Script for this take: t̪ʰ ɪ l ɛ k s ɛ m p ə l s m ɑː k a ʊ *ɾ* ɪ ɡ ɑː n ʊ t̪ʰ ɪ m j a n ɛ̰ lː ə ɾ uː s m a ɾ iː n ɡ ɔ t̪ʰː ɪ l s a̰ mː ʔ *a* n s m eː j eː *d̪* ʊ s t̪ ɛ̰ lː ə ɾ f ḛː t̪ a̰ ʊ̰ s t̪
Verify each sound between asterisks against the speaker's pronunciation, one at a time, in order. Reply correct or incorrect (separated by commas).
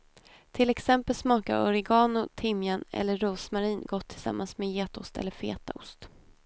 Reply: correct, correct, incorrect